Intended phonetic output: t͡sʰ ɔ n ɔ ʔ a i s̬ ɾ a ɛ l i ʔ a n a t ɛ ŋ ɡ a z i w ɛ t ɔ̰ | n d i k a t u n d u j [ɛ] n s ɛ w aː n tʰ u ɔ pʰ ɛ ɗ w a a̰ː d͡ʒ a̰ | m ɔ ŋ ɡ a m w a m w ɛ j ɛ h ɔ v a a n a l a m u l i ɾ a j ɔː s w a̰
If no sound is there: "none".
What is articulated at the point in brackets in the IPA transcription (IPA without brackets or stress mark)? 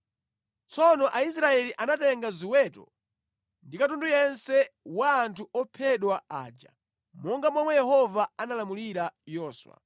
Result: ɛ